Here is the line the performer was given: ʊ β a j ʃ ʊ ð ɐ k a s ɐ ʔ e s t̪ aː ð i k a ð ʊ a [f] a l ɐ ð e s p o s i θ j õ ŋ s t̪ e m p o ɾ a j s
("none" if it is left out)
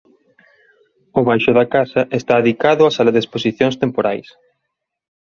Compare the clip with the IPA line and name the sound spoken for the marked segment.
s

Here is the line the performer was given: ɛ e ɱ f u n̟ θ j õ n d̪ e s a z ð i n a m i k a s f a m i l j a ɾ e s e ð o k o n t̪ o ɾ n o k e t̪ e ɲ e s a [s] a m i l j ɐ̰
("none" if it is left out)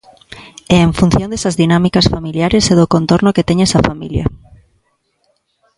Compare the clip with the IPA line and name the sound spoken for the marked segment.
f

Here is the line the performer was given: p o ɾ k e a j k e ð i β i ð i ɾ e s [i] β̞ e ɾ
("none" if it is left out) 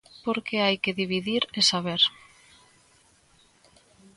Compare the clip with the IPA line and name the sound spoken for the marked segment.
a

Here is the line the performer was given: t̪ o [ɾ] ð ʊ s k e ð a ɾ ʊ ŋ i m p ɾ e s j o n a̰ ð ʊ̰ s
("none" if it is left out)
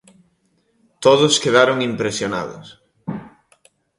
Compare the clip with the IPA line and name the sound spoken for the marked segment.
none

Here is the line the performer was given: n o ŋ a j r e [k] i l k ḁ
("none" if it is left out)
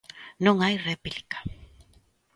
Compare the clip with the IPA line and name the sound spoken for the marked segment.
p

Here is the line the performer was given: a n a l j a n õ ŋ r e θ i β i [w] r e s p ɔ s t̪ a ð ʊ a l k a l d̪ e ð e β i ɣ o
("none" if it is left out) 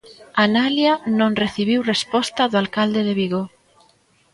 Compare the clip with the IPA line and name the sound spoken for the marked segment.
w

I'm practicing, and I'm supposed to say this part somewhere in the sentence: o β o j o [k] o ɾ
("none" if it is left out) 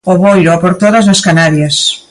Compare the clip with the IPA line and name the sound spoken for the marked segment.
p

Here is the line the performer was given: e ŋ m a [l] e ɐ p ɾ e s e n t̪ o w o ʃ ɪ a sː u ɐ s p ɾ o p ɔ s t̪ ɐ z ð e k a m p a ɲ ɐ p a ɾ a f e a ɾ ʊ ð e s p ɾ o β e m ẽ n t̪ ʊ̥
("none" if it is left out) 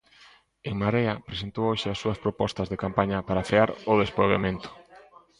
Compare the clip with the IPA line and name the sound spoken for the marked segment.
ɾ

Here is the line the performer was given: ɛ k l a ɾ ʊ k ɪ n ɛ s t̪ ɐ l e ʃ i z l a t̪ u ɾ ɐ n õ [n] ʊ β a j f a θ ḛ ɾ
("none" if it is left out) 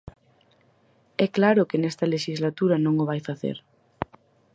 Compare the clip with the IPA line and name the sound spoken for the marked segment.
ŋ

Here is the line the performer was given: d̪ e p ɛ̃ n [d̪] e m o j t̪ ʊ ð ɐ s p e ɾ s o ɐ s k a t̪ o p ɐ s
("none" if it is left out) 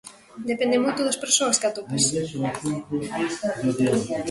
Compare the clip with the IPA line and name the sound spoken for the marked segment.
d̪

